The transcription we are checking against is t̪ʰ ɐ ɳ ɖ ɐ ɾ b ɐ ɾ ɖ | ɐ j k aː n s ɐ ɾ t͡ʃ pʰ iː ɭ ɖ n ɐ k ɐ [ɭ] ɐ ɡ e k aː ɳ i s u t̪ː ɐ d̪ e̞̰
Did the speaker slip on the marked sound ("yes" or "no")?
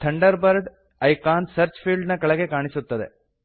no